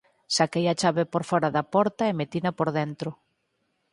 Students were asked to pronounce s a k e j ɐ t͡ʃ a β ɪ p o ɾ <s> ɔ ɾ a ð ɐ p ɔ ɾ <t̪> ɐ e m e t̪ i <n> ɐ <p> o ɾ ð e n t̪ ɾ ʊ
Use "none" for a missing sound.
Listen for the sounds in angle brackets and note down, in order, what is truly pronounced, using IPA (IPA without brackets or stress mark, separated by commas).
f, t̪, n, p